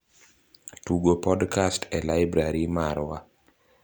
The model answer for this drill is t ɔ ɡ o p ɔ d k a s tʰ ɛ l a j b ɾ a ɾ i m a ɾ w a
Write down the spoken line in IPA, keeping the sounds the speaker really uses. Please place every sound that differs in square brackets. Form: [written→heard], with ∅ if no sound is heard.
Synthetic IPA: t [ɔ→u] ɡ o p ɔ d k a s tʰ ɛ l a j b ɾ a ɾ i m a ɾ w a